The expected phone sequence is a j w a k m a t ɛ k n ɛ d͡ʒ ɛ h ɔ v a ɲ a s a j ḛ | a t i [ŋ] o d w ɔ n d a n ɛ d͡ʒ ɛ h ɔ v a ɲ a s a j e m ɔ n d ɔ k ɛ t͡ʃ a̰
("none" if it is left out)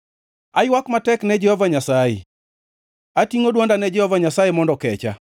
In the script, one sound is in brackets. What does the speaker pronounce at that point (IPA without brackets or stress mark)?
ŋ